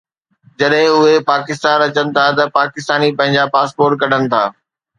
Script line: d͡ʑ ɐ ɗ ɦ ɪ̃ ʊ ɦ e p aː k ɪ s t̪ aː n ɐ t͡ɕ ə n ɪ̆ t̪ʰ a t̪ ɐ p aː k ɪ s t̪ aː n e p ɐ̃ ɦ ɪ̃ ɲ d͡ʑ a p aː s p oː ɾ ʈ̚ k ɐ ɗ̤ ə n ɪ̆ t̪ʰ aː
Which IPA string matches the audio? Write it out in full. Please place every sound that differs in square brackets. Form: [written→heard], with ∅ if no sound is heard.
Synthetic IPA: d͡ʑ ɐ ɗ ɦ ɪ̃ ʊ ɦ e p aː k ɪ s t̪ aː n ɐ t͡ɕ ə n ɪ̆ t̪ʰ a t̪ ɐ p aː k ɪ s t̪ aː n [e→i] p ɐ̃ ɦ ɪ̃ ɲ d͡ʑ a p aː s p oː ɾ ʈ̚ k ɐ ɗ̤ ə n ɪ̆ t̪ʰ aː